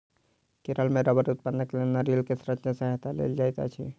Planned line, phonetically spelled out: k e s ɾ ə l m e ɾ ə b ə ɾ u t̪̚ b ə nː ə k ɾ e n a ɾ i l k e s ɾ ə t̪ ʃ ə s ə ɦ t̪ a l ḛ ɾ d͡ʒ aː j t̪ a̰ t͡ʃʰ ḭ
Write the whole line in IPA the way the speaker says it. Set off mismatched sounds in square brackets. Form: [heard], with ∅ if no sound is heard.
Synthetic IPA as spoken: k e [∅] ɾ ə l m e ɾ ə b ə ɾ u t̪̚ [p] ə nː ə k [l] e n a ɾ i l k e s ɾ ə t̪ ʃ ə s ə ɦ t̪ a l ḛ [l] d͡ʒ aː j t̪ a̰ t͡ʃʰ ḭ